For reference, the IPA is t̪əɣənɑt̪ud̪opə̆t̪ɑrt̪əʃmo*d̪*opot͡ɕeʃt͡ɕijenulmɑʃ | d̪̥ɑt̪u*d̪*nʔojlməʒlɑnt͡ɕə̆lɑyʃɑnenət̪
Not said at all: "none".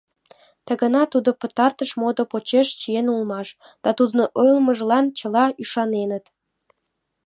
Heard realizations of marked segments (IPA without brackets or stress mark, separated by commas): d̪, d̪